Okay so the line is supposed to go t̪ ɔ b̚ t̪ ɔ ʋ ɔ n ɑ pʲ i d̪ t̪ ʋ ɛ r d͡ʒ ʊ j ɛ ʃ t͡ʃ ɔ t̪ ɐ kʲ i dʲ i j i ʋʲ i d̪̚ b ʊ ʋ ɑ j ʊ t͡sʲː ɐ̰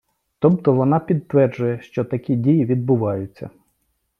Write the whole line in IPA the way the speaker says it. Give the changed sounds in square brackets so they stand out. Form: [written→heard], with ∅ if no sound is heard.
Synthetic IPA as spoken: t̪ ɔ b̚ t̪ ɔ ʋ ɔ n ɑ pʲ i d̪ t̪ ʋ ɛ r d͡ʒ ʊ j ɛ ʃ t͡ʃ ɔ t̪ ɐ kʲ i dʲ i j i ʋʲ i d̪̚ b ʊ ʋ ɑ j ʊ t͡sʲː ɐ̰